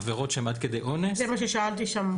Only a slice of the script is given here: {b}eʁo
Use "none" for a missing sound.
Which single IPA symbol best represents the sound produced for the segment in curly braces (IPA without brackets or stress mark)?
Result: v